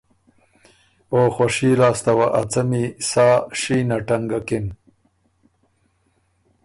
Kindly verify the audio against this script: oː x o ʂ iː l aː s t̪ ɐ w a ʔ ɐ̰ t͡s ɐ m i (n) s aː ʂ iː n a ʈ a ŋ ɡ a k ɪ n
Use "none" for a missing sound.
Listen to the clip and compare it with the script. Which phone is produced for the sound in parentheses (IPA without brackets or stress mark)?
none